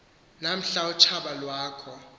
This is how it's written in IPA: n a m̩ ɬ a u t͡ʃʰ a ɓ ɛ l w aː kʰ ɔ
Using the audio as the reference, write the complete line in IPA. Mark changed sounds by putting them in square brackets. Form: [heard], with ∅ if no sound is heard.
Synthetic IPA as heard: n a m̩ ɬ a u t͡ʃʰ a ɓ [a] l w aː kʰ ɔ